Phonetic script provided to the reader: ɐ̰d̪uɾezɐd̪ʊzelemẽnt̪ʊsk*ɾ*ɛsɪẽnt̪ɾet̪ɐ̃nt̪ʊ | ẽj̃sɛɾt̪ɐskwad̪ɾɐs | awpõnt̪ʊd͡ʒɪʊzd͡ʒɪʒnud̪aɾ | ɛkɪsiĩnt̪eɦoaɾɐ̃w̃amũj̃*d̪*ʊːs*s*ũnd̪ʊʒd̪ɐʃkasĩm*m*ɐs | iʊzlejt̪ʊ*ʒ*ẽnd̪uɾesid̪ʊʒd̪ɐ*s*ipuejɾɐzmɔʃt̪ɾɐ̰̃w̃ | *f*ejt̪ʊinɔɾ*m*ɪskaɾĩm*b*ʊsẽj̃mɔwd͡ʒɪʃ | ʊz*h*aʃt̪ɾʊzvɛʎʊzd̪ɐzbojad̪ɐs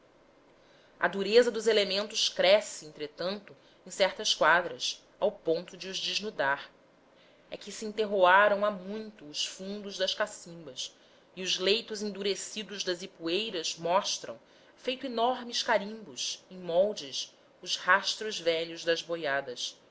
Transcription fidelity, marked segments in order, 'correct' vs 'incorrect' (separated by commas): correct, incorrect, incorrect, incorrect, incorrect, incorrect, correct, correct, correct, correct